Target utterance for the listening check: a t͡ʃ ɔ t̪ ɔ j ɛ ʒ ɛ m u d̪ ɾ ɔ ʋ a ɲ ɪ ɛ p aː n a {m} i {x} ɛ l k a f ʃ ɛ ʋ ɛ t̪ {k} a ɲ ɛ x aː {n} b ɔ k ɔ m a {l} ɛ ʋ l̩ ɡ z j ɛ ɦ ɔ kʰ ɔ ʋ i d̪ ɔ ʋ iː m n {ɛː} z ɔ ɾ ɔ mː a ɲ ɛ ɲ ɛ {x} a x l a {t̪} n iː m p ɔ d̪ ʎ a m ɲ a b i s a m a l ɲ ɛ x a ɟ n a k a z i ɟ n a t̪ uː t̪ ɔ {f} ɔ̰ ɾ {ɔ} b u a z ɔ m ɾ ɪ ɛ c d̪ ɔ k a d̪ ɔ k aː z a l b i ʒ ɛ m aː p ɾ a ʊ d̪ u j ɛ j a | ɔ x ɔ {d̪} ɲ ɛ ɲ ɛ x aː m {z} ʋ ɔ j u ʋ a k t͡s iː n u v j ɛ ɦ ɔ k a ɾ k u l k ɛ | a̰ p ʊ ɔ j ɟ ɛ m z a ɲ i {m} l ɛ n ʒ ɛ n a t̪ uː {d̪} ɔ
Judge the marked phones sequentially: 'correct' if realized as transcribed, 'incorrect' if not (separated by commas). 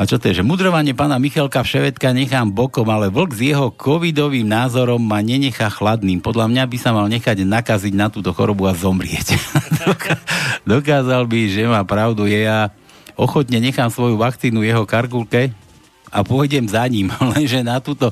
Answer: correct, correct, correct, incorrect, correct, incorrect, correct, incorrect, incorrect, correct, incorrect, incorrect, correct, incorrect